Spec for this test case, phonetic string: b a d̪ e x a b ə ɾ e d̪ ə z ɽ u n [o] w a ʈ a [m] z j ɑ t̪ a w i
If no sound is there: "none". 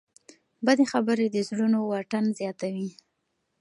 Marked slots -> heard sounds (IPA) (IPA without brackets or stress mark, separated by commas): o, n